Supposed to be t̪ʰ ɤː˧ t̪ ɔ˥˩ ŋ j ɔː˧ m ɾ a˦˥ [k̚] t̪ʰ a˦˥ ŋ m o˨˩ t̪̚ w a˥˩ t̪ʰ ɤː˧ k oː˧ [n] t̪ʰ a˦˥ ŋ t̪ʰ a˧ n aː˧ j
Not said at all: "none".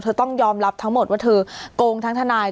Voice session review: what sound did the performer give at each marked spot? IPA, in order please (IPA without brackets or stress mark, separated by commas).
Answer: p̚, ŋ